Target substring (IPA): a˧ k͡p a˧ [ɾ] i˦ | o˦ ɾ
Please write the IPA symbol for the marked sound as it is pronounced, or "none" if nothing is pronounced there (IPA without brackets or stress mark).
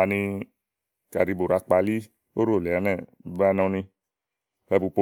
l